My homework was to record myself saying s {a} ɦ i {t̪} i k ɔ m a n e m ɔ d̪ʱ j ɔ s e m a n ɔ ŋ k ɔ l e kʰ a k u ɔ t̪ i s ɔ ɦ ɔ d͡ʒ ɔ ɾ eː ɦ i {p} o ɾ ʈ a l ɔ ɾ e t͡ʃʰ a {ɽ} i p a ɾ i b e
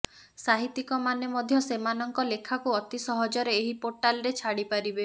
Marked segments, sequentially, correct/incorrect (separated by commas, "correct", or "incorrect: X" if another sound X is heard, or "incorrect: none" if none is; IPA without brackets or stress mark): correct, correct, correct, correct